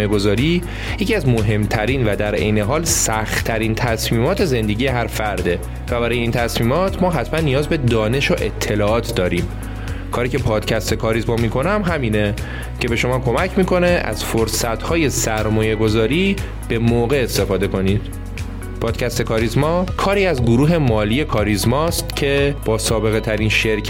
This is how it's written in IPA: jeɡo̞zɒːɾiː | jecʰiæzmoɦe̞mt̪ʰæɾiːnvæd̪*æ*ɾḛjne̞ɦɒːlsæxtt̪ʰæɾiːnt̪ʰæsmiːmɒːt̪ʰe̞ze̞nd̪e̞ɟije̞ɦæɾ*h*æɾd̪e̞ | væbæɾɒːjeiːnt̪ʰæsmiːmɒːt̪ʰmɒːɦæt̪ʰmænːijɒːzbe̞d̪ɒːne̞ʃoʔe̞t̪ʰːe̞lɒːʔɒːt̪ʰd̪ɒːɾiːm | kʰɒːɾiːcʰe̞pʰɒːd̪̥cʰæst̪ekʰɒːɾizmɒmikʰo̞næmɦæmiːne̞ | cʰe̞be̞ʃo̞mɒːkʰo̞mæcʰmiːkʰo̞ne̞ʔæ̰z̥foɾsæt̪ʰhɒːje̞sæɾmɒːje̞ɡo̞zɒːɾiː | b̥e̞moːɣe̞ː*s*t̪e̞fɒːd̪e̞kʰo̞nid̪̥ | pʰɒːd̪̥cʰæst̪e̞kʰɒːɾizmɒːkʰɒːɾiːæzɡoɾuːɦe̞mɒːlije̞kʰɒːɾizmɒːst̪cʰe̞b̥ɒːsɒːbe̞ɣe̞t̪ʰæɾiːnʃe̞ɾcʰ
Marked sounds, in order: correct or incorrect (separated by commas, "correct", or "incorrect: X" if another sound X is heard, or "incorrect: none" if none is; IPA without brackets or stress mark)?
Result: correct, incorrect: f, correct